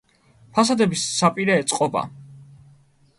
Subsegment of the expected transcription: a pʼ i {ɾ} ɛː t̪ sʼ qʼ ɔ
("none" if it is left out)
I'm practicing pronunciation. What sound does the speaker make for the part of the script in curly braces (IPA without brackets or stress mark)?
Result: ɾ